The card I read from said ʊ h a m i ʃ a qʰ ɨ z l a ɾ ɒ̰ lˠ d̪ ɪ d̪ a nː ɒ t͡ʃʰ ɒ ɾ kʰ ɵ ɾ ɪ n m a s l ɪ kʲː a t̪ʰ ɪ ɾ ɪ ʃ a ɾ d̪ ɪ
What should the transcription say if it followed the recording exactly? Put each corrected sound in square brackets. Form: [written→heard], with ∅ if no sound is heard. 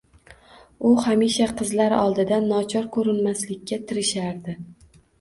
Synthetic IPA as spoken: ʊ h a m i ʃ a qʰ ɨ z l a ɾ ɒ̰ lˠ d̪ ɪ d̪ a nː ɒ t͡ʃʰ ɒ ɾ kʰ ɵ ɾ ɪ n m a s l ɪ kʲː a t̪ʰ ɪ ɾ ɪ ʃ a ɾ d̪ ɪ